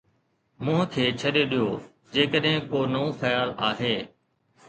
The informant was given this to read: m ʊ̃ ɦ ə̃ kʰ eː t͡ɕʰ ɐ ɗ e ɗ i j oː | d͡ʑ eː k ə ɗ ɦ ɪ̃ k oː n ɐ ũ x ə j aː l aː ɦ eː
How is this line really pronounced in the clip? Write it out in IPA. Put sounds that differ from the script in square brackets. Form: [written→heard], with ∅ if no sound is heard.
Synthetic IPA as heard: m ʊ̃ ɦ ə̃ kʰ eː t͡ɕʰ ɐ ɗ e ɗ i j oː | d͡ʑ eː k ə ɗ ɦ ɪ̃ k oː n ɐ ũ x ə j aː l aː ɦ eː

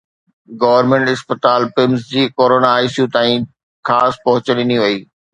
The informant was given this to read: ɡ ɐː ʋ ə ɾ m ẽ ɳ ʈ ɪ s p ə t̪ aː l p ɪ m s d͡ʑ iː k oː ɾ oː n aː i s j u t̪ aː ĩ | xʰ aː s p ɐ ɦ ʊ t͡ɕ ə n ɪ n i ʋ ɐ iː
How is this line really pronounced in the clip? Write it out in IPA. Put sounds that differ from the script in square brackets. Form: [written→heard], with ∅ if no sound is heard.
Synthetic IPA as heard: ɡ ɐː ʋ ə ɾ m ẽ ɳ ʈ ɪ s p ə t̪ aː l p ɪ m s d͡ʑ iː k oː ɾ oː n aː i s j u t̪ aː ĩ | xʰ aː s p ɐ ɦ ʊ t͡ɕ ə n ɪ n i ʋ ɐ iː

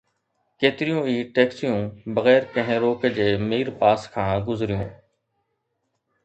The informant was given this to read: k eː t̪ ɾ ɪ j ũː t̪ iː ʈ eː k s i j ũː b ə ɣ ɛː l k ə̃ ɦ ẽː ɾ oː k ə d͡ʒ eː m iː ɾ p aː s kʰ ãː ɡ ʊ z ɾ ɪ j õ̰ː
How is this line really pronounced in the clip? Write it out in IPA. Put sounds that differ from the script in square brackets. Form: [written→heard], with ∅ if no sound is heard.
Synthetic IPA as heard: k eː t̪ ɾ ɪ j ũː [t̪→∅] iː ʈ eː k s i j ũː b ə ɣ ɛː [l→ɾ] k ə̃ ɦ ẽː ɾ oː k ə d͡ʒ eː m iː ɾ p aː s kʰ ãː ɡ ʊ z ɾ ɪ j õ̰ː

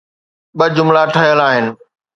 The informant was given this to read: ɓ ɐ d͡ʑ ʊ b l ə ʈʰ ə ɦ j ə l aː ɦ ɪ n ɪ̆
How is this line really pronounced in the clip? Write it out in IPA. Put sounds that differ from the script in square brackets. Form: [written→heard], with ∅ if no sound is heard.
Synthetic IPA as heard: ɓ ɐ d͡ʑ ʊ [b→m] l [ə→a] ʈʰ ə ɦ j ə l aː ɦ ɪ n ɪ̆

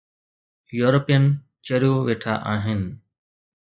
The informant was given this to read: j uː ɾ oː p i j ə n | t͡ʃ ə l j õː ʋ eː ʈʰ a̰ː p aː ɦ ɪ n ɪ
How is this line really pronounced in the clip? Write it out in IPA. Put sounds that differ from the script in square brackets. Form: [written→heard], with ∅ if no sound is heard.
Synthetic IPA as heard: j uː ɾ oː p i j ə n | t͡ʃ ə [l→ɾ] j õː ʋ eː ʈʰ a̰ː [p→ʔ] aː ɦ ɪ n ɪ

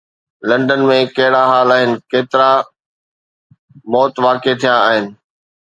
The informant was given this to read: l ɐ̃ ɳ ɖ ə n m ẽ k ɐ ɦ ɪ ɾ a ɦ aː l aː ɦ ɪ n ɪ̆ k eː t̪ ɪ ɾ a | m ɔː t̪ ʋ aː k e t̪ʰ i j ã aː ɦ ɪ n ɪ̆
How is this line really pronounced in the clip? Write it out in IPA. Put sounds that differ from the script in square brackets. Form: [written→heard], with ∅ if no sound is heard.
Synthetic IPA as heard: l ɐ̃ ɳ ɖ ə n m ẽ k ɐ ɦ ɪ [ɾ→ɽ] a ɦ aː l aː ɦ ɪ n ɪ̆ k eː t̪ ɪ ɾ a | m ɔː t̪ ʋ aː k e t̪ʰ i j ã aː ɦ ɪ n ɪ̆

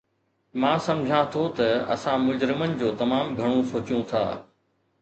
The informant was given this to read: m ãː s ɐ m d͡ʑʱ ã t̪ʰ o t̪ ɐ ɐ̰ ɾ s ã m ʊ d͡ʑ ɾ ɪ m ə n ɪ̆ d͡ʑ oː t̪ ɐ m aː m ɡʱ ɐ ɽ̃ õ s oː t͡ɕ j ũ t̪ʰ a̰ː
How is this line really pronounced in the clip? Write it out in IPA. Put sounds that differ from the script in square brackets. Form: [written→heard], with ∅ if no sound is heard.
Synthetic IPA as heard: m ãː s ɐ m d͡ʑʱ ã t̪ʰ o t̪ ɐ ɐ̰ [ɾ→∅] s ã m ʊ d͡ʑ ɾ ɪ m ə n ɪ̆ d͡ʑ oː t̪ ɐ m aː m ɡʱ ɐ ɽ̃ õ s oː t͡ɕ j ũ t̪ʰ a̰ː

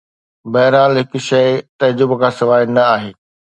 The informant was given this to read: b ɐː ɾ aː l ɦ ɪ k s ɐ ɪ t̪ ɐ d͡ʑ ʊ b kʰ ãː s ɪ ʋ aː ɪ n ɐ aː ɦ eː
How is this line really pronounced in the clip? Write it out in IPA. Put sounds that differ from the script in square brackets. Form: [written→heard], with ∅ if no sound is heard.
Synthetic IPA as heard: b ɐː ɾ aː l ɦ ɪ k [s→ʃ] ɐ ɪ t̪ ɐ d͡ʑ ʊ b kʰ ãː s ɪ ʋ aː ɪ n ɐ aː ɦ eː

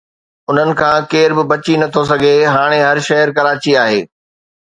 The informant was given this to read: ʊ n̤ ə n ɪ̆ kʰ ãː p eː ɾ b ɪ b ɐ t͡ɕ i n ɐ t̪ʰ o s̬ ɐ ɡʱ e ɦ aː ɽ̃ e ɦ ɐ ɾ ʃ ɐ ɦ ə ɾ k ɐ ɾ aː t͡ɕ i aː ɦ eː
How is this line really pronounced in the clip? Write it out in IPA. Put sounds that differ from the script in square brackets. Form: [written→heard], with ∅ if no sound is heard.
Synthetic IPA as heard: ʊ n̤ ə n ɪ̆ kʰ ãː [p→k] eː ɾ b ɪ b ɐ t͡ɕ i n ɐ t̪ʰ o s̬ ɐ ɡʱ e ɦ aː ɽ̃ e ɦ ɐ ɾ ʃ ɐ ɦ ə ɾ k ɐ ɾ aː t͡ɕ i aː ɦ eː

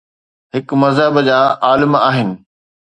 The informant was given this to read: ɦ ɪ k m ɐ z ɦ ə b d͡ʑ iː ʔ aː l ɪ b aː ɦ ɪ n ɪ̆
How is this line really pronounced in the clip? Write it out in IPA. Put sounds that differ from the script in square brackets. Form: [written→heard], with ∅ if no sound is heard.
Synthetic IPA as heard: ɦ ɪ k m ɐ z ɦ ə b d͡ʑ [iː→aː] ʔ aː l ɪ [b→m] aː ɦ ɪ n ɪ̆

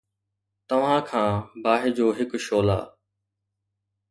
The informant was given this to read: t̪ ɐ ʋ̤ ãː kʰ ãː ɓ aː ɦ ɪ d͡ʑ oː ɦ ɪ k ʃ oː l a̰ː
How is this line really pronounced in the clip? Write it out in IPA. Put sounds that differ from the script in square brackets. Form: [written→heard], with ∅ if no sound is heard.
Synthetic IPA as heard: t̪ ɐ ʋ̤ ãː kʰ ãː [ɓ→b] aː ɦ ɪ d͡ʑ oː ɦ ɪ k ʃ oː l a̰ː

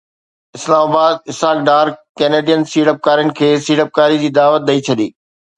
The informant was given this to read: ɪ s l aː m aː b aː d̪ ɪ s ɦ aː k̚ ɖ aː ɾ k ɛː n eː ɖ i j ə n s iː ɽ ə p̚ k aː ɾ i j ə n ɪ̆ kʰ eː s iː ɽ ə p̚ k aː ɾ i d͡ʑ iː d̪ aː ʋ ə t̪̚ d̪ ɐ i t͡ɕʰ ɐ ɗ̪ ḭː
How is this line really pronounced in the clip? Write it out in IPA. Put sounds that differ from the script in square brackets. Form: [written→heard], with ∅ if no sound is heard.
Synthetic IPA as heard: ɪ s l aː m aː b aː d̪ ɪ s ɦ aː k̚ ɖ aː ɾ k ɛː n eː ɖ i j ə n s iː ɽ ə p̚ k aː ɾ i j ə n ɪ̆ kʰ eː s iː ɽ ə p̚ k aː ɾ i d͡ʑ iː d̪ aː ʋ ə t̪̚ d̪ ɐ i t͡ɕʰ ɐ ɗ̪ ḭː

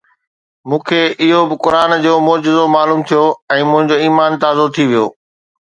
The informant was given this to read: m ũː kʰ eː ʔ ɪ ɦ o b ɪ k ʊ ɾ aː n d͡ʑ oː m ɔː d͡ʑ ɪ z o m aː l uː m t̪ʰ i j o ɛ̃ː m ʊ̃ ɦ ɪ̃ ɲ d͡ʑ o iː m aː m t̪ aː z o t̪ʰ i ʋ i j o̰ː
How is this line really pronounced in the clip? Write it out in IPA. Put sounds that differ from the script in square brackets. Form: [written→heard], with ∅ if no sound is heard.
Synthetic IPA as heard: m ũː kʰ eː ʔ ɪ ɦ o b ɪ k ʊ ɾ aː n d͡ʑ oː m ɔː d͡ʑ ɪ z o m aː l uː m t̪ʰ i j o ɛ̃ː m ʊ̃ ɦ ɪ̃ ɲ d͡ʑ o iː m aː [m→n] t̪ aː z o t̪ʰ i ʋ i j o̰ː

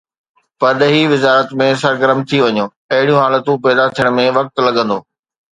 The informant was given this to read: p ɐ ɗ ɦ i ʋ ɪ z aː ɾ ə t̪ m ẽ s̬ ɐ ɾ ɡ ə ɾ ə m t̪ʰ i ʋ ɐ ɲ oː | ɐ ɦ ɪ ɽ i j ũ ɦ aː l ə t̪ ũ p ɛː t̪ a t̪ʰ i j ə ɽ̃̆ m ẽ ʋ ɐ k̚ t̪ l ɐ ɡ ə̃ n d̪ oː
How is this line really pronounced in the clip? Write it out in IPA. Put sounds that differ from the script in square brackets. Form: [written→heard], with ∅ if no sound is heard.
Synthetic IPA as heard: p ɐ ɗ ɦ i ʋ ɪ z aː ɾ ə t̪ m ẽ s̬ ɐ ɾ ɡ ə ɾ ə m t̪ʰ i ʋ ɐ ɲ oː | ɐ ɦ ɪ ɽ i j ũ ɦ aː l ə t̪ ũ p ɛː [t̪→d̪] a t̪ʰ i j ə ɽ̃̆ m ẽ ʋ ɐ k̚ t̪ l ɐ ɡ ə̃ n d̪ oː

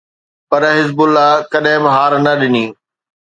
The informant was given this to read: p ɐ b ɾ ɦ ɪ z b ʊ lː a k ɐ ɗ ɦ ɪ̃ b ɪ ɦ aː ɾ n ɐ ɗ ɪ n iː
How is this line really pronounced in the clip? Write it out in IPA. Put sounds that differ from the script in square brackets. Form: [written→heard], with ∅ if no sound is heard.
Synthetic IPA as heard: p ɐ [b→∅] ɾ ɦ ɪ z b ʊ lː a k ɐ ɗ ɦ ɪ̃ b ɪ ɦ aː ɾ n ɐ ɗ ɪ n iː

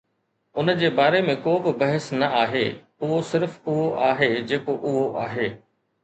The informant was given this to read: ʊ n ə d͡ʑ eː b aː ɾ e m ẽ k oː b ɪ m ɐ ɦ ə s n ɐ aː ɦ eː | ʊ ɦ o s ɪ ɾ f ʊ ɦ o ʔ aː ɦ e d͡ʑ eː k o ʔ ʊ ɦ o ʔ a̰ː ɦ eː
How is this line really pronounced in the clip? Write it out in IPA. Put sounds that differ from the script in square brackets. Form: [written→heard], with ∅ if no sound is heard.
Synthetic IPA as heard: ʊ n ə d͡ʑ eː b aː ɾ e m ẽ k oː b ɪ [m→b] ɐ ɦ ə s n ɐ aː ɦ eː | ʊ ɦ o s ɪ ɾ f ʊ ɦ o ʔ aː ɦ e d͡ʑ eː k o ʔ ʊ ɦ o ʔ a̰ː ɦ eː

